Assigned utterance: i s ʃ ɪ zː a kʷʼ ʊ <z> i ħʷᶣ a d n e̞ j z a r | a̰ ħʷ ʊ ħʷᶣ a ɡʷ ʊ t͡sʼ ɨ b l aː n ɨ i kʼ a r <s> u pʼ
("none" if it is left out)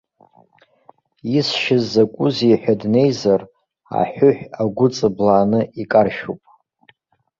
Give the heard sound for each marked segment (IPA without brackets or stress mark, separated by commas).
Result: z, ʃ